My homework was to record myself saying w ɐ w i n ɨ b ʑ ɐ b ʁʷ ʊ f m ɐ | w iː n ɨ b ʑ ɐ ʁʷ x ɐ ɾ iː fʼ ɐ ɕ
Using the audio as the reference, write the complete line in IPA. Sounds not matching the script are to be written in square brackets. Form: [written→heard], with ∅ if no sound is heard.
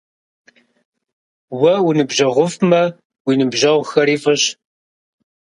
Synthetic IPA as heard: w ɐ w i n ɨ b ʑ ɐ [b→∅] ʁʷ ʊ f m ɐ | w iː n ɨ b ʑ ɐ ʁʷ x ɐ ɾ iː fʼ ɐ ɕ